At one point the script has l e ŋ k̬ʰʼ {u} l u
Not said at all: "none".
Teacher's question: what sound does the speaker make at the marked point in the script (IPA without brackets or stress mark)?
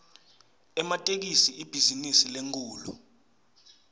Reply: uː